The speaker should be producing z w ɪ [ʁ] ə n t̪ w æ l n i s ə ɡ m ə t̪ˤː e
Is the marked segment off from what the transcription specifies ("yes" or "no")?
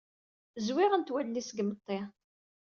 no